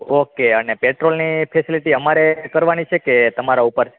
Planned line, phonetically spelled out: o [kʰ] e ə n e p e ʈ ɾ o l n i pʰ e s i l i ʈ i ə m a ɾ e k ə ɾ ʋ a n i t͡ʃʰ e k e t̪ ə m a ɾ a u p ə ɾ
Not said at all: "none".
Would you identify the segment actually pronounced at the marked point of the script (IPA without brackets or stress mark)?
k